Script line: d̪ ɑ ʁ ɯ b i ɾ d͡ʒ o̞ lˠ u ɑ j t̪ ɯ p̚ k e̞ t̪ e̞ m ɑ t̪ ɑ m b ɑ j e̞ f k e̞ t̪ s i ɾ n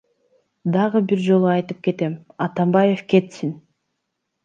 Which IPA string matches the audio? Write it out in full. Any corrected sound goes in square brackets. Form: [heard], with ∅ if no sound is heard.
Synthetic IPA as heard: d̪ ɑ ʁ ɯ b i ɾ d͡ʒ o̞ lˠ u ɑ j t̪ ɯ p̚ k e̞ t̪ e̞ m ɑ t̪ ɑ m b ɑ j e̞ f k e̞ t̪ s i [∅] n